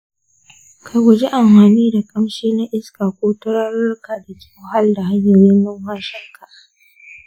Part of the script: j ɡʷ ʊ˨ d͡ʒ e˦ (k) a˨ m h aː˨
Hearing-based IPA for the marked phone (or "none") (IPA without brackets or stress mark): ʔ